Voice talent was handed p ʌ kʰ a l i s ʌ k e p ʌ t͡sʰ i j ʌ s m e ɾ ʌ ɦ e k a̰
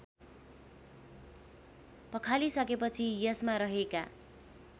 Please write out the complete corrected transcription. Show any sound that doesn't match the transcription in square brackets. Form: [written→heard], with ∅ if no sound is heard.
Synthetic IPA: p ʌ kʰ a l i s ʌ k e p ʌ t͡sʰ i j ʌ s m [e→a] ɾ ʌ ɦ e k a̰